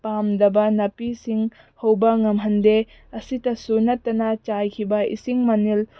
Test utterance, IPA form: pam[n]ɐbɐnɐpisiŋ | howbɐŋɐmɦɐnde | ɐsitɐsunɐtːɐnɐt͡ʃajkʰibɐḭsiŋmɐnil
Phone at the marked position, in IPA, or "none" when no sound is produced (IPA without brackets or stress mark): d